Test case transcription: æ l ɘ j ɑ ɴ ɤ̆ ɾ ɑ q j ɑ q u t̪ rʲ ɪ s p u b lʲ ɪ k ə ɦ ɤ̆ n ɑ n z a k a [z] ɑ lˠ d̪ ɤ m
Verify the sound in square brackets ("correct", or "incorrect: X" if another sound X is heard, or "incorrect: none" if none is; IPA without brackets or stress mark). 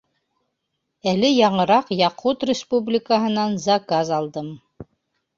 correct